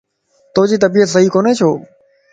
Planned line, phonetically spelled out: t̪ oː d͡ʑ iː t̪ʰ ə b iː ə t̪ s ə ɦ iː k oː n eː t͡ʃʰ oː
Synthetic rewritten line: t̪ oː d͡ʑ iː t̪ ə b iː ə t̪ s ə ɦ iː k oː n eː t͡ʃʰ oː